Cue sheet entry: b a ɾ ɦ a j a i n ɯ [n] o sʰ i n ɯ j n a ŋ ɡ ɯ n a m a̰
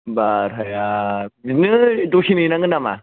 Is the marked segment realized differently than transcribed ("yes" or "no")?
yes